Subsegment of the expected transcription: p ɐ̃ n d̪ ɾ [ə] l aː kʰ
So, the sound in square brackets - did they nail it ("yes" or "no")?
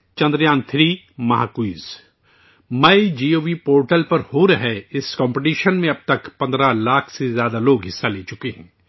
no